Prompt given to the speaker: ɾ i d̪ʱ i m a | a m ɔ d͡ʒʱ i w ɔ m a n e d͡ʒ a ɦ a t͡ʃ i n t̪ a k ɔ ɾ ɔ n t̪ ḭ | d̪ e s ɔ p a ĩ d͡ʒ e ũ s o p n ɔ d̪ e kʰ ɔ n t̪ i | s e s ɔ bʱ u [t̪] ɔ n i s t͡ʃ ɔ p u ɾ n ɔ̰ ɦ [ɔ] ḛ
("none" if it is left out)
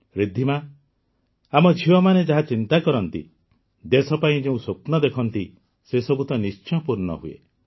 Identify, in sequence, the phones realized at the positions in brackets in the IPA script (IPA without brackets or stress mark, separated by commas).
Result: t̪, u